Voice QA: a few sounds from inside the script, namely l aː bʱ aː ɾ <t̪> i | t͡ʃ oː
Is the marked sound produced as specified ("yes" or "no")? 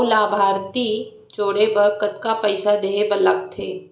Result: yes